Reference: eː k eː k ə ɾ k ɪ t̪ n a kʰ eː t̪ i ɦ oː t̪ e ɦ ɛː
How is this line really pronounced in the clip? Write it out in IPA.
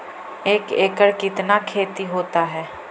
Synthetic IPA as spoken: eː k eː k ə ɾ k ɪ t̪ n a kʰ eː t̪ i ɦ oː t̪ a ɦ ɛː